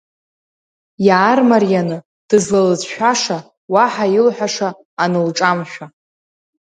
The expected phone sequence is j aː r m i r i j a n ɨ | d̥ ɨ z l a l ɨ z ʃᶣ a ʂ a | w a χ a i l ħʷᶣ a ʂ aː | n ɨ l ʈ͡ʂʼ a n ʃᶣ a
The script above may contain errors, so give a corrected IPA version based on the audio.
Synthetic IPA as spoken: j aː r m a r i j a n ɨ | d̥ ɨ z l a l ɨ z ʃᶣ a ʂ a | w a ħ a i l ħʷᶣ a ʂ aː | n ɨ l ʈ͡ʂʼ a m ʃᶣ a